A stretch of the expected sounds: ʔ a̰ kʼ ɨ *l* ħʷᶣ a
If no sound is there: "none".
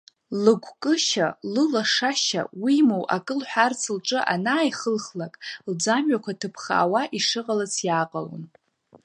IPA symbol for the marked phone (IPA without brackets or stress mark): l